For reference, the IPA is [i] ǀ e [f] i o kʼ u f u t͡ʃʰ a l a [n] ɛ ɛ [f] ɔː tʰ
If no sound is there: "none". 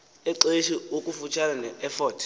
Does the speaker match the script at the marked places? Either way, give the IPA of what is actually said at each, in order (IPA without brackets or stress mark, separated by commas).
ɛ, ʃ, n, f